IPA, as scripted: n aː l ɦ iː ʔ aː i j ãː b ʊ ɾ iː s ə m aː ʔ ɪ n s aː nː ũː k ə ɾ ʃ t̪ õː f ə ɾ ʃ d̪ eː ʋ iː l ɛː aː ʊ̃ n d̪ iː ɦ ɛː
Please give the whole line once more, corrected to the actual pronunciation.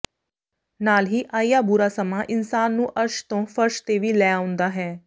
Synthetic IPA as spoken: n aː l ɦ iː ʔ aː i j aː b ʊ ɾ aː s ə m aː ʔ ɪ n s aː nː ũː ʔ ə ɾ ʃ t̪ õː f ə ɾ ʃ t̪ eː ʋ iː l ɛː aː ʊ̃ n d̪ aː ɦ ɛː